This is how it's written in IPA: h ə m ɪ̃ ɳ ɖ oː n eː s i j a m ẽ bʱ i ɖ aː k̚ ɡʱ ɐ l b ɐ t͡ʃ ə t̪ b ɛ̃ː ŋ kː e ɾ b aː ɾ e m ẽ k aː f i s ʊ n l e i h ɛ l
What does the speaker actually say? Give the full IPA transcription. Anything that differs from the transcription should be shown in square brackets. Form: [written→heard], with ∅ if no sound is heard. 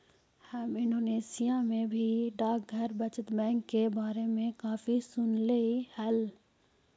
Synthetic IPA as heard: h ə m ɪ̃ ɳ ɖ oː n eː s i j a m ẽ bʱ i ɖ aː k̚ ɡʱ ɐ [l→ɾ] b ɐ t͡ʃ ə t̪ b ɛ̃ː ŋ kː e [ɾ→∅] b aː ɾ e m ẽ k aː f i s ʊ n l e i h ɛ l